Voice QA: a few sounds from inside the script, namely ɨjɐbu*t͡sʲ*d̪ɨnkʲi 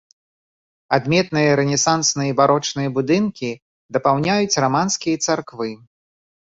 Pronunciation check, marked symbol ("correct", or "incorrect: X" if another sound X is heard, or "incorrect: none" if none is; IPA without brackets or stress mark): incorrect: none